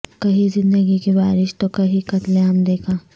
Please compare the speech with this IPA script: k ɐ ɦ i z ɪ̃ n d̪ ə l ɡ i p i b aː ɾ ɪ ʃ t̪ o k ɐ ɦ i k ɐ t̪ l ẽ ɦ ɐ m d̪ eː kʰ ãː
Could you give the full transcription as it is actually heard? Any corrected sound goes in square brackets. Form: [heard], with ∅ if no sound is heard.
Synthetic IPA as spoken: k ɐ ɦ i z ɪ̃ n d̪ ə [∅] ɡ i [k] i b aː ɾ ɪ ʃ t̪ o k ɐ ɦ i k ɐ t̪ l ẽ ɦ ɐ m d̪ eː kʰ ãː